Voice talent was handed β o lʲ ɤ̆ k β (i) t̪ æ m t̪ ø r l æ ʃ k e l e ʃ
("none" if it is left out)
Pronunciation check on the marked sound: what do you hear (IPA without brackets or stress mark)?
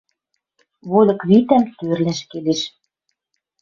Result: i